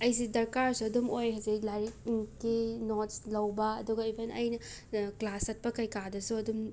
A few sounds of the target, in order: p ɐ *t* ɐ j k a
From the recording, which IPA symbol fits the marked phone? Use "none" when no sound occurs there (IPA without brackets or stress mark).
k